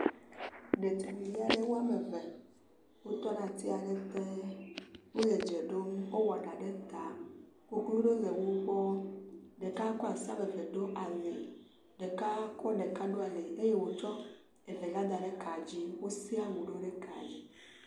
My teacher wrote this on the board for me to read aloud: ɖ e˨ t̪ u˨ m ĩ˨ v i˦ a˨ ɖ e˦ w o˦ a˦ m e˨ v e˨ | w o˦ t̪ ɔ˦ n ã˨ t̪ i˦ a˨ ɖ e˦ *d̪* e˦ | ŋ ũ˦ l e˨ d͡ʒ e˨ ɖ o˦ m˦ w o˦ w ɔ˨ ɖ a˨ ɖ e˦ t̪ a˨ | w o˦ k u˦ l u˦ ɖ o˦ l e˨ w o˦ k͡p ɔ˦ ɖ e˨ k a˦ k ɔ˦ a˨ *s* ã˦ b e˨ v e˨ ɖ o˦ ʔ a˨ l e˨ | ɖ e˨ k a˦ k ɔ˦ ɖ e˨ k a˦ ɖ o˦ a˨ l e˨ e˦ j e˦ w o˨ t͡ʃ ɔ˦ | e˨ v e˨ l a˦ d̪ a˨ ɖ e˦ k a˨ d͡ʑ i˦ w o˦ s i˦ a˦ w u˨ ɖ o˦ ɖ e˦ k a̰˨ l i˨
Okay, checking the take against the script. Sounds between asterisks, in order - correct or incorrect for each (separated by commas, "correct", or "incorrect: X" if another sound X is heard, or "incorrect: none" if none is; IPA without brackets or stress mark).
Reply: incorrect: t̪, correct